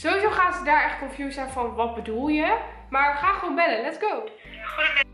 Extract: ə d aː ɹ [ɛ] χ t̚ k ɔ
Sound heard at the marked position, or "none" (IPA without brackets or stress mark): ɛ